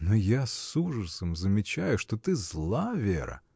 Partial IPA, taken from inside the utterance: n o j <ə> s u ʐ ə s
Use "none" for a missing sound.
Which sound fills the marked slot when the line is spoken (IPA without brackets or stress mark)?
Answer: a